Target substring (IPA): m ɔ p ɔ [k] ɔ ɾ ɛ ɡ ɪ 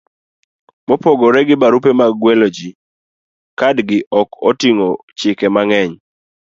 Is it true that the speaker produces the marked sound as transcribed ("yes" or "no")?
no